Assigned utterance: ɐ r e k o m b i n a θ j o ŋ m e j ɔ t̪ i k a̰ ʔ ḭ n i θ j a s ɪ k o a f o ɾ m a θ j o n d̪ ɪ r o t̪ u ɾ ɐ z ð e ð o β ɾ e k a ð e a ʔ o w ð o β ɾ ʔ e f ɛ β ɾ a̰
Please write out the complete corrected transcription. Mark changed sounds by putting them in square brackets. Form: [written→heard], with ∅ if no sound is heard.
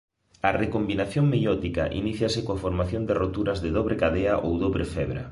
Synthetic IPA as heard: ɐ r e k o m b i n a θ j o ŋ m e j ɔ t̪ i k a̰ ʔ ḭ n i θ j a s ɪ k o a f o ɾ m a θ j o n d̪ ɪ r o t̪ u ɾ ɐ z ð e ð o β ɾ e k a ð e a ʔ o w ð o β ɾ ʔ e f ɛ β ɾ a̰